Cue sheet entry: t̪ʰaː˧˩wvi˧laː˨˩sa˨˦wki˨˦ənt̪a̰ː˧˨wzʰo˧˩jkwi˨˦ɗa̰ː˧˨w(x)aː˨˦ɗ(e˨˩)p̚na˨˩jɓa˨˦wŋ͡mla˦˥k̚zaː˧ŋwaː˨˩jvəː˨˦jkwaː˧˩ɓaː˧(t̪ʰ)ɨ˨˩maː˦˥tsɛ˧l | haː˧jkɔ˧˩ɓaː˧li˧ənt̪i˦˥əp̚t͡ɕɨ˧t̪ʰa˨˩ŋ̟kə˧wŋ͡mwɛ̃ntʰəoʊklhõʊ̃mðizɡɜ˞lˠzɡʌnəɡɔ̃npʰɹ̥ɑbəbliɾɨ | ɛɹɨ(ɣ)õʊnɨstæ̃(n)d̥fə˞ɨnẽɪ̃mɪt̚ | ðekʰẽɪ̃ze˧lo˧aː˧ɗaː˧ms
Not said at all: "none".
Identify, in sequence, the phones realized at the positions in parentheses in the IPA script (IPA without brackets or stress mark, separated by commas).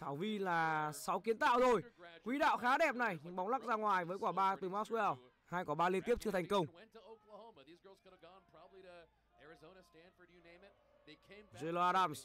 x, ɛ˨˩, t̪, z, n